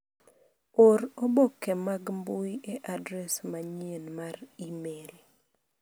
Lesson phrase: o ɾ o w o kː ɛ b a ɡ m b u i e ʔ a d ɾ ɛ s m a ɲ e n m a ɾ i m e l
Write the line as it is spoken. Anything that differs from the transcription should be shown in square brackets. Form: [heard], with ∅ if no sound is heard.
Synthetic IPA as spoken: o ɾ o [b] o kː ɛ [m] a ɡ m b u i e ʔ a d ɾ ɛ s m a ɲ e n m a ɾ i m e l

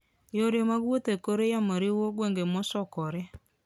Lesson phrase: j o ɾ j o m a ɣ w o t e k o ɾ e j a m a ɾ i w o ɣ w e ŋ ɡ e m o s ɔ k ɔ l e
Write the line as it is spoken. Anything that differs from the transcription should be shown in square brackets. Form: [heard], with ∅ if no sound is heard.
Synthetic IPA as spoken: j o ɾ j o m a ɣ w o t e k o ɾ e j a m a ɾ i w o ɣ w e ŋ ɡ e m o s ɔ k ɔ [ɾ] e

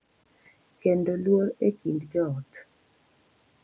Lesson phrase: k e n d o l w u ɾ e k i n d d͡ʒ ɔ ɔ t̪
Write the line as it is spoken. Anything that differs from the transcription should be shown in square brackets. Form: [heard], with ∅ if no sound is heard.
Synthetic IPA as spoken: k e n d o l w [o] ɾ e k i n d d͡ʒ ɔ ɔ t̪

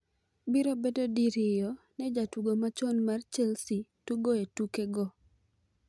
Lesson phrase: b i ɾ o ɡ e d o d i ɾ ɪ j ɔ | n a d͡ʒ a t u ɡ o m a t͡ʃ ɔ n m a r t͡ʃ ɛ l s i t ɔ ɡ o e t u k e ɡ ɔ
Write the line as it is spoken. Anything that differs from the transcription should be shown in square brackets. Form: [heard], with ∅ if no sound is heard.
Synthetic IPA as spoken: b i ɾ o [b] e d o d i ɾ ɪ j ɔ | n [ɛ] d͡ʒ a t u ɡ o m a t͡ʃ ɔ n m a r t͡ʃ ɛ l s i t [u] ɡ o e t u k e ɡ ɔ

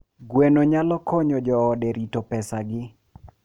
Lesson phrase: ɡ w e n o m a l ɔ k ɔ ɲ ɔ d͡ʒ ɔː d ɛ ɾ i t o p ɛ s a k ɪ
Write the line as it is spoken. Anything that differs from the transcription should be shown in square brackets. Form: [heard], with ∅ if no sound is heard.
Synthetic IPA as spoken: ɡ w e n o [ɲ] a l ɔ k ɔ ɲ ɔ d͡ʒ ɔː d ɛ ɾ i t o p ɛ s a [ɡ] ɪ

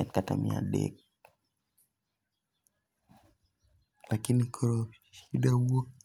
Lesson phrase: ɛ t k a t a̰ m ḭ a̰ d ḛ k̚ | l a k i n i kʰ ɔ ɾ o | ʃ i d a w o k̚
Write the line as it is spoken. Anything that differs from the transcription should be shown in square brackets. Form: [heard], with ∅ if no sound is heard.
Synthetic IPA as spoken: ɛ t k a t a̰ m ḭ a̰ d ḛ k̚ | l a k i n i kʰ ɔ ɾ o | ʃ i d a w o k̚

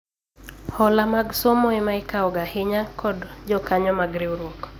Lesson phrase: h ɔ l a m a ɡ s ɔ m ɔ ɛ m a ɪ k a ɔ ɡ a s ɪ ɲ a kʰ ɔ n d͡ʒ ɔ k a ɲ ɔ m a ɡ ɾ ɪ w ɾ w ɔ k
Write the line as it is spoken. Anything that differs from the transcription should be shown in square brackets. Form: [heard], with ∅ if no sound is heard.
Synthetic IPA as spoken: h ɔ l a m a ɡ s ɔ m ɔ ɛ m a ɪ k a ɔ ɡ a [h] ɪ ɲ a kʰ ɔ [d] d͡ʒ ɔ k a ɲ ɔ m a ɡ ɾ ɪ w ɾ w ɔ k

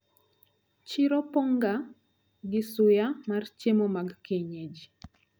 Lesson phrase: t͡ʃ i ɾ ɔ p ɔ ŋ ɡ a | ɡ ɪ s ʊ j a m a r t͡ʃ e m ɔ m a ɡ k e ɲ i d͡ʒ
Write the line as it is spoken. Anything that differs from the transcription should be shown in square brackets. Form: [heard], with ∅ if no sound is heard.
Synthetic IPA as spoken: t͡ʃ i ɾ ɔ p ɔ ŋ ɡ a | ɡ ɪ s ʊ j a m a r t͡ʃ e m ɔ m a ɡ k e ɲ [e] d͡ʒ

